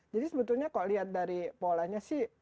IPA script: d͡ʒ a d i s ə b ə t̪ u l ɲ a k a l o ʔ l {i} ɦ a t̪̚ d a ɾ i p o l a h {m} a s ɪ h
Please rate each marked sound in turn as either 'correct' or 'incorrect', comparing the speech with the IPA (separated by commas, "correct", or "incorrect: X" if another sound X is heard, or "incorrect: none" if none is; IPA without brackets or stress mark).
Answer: correct, incorrect: ɲ